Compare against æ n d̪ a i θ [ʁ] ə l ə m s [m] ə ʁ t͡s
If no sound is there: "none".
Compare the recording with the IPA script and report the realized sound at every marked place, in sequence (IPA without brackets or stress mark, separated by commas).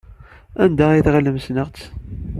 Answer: ʁ, n